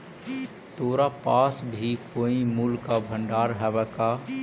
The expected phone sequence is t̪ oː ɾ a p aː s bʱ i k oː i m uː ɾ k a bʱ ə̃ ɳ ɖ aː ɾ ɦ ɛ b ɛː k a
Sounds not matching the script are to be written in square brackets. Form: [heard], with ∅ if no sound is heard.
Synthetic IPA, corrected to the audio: t̪ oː ɾ a p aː s bʱ i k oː i m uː [l] k a bʱ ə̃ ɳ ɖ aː ɾ ɦ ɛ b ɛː k a